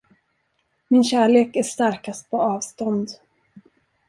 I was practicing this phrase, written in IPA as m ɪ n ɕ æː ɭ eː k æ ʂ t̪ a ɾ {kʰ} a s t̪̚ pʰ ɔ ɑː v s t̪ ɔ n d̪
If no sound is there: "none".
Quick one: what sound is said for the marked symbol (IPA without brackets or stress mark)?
k